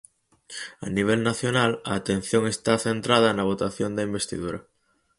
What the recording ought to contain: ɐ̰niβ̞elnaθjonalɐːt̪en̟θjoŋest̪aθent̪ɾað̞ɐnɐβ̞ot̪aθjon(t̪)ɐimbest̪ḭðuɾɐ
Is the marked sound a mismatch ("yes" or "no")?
yes